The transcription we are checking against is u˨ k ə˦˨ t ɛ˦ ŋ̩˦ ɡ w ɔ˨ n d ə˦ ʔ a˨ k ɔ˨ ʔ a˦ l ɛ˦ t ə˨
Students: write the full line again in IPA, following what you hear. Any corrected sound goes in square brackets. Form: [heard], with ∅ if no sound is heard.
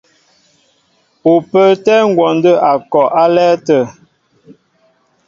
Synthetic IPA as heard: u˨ [p] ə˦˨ t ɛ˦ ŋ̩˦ ɡ w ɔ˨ n d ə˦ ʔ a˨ k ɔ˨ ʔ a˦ l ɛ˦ t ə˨

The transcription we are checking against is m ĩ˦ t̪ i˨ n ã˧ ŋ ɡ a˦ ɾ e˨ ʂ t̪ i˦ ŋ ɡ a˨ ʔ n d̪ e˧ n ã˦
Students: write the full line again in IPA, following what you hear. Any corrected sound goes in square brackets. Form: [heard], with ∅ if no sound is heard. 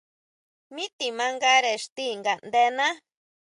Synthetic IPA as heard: m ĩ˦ t̪ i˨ [m] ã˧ ŋ ɡ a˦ ɾ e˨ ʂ t̪ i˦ ŋ ɡ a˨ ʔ n d̪ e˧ n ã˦

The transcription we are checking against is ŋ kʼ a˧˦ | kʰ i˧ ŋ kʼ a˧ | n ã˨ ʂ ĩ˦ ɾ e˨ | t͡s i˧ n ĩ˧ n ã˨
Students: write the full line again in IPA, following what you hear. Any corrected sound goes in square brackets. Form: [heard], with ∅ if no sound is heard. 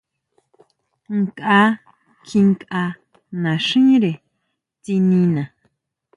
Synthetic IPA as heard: ŋ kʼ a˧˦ | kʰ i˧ ŋ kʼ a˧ | n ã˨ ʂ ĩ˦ ɾ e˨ | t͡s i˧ n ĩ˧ n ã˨

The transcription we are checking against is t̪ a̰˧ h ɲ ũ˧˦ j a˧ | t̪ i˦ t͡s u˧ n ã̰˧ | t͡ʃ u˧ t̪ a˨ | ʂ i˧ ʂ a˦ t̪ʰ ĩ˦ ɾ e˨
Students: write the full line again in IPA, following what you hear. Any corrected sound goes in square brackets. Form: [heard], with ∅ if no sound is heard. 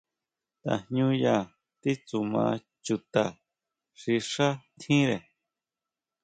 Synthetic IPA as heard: t̪ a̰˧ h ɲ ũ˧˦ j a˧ | t̪ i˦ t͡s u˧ [m] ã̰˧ | t͡ʃ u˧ t̪ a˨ | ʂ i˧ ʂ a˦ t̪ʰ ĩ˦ ɾ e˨

